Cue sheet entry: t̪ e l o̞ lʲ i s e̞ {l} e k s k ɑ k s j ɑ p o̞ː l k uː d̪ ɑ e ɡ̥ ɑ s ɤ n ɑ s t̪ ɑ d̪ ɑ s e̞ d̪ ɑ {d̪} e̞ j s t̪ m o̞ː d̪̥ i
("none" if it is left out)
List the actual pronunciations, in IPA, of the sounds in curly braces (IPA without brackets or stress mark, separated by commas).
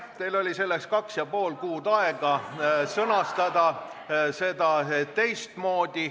lː, t̪